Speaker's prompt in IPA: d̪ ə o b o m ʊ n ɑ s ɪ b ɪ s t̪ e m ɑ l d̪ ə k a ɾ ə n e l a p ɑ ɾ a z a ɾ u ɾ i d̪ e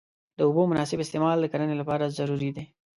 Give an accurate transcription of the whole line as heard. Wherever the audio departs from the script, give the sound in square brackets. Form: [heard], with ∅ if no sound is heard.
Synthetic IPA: d̪ ə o b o m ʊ n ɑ s ɪ b ɪ s t̪ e m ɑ l d̪ ə k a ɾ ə n e l a p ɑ ɾ a z a ɾ u ɾ i d̪ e

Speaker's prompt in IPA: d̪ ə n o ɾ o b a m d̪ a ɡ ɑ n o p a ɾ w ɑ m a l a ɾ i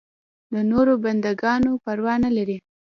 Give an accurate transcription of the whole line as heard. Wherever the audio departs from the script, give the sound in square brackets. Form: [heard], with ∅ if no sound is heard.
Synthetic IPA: d̪ ə n o ɾ o b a [n] d̪ a ɡ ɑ n o p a ɾ w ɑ [n] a l a ɾ i

